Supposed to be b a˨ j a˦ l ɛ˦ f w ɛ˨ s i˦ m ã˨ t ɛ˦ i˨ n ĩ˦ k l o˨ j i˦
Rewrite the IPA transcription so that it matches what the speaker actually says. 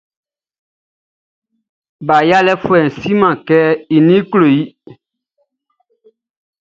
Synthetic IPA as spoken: b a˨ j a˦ l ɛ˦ f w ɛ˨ s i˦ m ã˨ k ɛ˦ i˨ n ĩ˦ k l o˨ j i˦